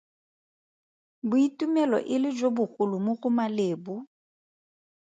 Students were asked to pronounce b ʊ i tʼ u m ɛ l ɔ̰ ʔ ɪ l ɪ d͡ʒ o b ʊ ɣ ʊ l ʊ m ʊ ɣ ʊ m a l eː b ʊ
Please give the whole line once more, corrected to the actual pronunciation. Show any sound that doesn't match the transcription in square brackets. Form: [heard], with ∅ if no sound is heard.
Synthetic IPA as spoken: b ʊ i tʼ u m ɛ l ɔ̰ ʔ ɪ l ɪ d͡ʒ o b ʊ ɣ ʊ l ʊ m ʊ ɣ ʊ m a l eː b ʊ